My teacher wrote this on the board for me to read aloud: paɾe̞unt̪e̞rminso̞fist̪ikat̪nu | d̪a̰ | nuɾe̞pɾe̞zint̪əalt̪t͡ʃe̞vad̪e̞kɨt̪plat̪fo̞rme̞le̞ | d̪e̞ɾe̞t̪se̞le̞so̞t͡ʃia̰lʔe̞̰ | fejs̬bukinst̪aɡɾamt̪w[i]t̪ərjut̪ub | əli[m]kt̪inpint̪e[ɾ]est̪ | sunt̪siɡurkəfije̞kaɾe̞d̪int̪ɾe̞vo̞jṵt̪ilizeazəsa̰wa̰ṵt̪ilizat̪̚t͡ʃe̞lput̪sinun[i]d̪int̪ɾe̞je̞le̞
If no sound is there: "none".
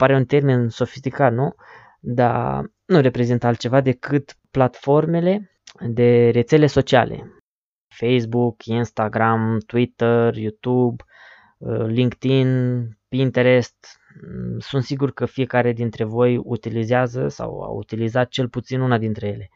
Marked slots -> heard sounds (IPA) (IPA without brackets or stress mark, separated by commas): i, ŋ, ɾ, a